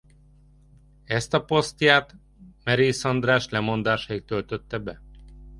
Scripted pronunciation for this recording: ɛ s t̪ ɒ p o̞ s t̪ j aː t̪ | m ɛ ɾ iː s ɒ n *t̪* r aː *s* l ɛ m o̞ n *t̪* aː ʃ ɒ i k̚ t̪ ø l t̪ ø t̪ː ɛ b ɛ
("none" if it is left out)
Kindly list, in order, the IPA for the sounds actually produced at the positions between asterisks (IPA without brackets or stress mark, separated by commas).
d̪, ʃ, d̪